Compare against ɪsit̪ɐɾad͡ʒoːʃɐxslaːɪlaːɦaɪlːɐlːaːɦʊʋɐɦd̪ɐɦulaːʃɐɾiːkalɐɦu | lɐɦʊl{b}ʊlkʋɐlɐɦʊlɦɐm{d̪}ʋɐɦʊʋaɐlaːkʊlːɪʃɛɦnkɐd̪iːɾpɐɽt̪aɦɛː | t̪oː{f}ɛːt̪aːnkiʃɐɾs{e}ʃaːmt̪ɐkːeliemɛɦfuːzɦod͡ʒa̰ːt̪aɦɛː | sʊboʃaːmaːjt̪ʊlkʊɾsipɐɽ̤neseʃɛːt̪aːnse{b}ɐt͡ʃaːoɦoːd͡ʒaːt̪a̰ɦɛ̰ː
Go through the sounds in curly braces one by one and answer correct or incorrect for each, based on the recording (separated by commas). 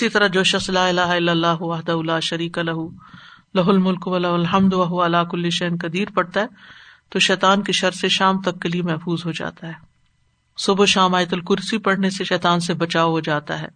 incorrect, correct, incorrect, correct, correct